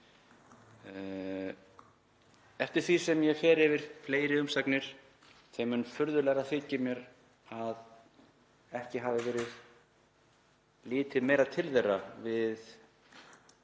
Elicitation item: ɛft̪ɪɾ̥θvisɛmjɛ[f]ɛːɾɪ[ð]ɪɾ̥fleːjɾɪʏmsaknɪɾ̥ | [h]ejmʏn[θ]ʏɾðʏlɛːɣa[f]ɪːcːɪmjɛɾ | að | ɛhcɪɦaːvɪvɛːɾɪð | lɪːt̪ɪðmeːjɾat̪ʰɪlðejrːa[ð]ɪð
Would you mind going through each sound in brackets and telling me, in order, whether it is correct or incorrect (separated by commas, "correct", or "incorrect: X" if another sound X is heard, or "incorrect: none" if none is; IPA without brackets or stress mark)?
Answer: correct, incorrect: v, incorrect: θ, incorrect: f, incorrect: θ, incorrect: v